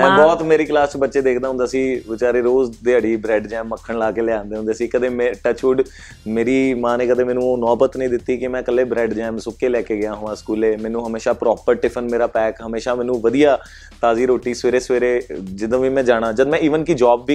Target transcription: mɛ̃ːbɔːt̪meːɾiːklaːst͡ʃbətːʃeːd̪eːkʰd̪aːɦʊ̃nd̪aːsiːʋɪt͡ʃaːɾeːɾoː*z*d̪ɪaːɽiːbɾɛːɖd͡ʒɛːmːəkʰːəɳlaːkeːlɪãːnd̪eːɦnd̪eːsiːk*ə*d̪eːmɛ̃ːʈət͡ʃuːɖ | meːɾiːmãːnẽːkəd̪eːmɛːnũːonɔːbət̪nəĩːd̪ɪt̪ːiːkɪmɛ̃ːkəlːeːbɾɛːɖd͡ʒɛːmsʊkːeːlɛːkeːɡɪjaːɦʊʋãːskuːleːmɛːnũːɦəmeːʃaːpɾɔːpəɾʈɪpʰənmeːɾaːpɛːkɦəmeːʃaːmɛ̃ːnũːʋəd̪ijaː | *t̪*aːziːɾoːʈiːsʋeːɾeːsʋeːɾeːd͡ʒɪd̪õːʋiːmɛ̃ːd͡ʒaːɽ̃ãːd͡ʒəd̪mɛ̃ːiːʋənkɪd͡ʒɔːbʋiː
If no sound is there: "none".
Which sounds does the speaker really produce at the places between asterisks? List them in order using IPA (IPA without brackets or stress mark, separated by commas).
z, ə, t̪